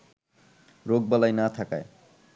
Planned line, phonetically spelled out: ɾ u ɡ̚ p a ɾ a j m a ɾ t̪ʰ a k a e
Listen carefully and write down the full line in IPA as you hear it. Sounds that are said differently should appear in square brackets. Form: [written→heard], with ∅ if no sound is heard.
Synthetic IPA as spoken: ɾ [u→o] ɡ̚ [p→b] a [ɾ→l] a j [m→n] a [ɾ→∅] t̪ʰ a k a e